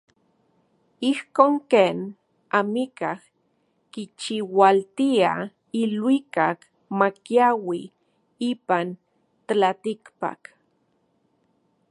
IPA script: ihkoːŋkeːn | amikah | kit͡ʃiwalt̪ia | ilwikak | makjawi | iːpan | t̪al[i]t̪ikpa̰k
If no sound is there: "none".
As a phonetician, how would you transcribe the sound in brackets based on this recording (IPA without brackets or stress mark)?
a